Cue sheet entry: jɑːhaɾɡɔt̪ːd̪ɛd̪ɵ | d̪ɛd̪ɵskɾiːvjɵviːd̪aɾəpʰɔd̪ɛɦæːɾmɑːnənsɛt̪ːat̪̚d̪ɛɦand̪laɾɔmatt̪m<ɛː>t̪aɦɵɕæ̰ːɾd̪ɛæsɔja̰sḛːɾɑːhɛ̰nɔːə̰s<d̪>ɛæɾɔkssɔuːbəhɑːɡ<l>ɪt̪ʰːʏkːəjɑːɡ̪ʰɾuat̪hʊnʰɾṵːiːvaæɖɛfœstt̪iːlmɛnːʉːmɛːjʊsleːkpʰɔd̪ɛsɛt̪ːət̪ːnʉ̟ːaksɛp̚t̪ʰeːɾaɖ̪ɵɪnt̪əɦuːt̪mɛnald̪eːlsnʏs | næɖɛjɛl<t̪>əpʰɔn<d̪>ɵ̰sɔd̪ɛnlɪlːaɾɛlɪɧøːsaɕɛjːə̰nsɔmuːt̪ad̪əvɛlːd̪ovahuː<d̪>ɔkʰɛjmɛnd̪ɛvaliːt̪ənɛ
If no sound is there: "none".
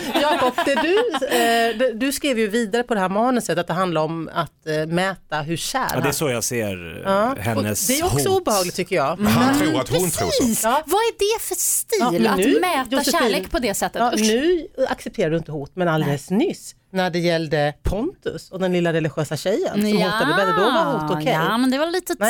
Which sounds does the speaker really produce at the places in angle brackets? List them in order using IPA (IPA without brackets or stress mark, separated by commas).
ɛː, d̪, l, d̪, t̪, t̪